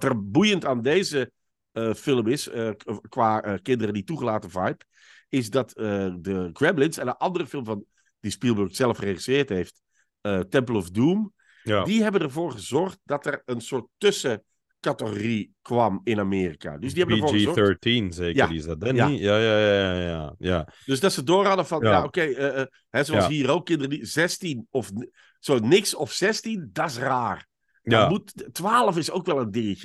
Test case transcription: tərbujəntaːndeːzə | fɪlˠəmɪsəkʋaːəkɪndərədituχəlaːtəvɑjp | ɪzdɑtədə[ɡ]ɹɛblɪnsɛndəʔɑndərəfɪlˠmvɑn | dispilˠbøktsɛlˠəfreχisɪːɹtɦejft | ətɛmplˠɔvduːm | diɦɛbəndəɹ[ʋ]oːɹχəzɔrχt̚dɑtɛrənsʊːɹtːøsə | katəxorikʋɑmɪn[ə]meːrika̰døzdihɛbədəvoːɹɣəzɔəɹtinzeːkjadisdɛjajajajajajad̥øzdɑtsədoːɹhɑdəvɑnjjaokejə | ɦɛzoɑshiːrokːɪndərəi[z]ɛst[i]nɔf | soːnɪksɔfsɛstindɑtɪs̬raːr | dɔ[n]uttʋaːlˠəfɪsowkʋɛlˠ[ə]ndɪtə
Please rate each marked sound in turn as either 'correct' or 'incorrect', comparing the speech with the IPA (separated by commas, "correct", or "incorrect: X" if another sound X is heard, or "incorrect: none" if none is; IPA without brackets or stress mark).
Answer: correct, incorrect: v, incorrect: a, correct, correct, incorrect: m, correct